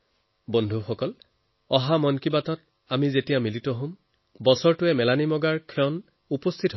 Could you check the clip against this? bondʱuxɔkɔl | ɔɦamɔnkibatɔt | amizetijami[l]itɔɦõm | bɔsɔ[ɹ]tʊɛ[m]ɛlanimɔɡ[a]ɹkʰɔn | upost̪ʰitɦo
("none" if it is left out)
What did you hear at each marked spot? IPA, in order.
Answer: l, ɹ, m, a

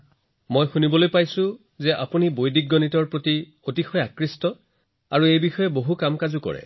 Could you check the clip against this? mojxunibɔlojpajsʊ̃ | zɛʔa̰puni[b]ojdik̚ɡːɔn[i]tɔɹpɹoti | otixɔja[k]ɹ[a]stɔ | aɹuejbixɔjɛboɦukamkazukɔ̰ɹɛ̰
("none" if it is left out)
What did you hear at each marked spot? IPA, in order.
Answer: b, i, k, i

